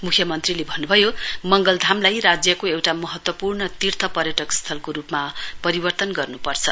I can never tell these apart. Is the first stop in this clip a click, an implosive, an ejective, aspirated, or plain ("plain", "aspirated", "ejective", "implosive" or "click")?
aspirated